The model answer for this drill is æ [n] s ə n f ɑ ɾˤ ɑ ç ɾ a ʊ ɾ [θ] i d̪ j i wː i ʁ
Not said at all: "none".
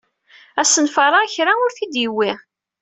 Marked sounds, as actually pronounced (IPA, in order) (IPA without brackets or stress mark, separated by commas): none, θ